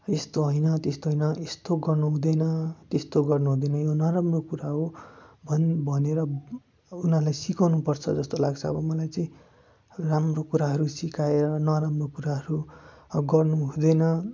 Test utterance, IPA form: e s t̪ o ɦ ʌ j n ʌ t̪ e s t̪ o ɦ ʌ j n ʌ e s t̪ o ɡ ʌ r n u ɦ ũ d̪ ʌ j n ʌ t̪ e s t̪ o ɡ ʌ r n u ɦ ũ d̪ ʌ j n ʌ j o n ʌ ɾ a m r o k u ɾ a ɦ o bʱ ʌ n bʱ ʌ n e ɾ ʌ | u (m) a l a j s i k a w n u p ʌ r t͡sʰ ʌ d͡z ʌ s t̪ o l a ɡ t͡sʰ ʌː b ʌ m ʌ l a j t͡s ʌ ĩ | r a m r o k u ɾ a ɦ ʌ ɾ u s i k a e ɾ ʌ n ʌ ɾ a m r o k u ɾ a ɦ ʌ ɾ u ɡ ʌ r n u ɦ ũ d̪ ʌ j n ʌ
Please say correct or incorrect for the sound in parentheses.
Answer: incorrect